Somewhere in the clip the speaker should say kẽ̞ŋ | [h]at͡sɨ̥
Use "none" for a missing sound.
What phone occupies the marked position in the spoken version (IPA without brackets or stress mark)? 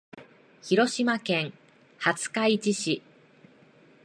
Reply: h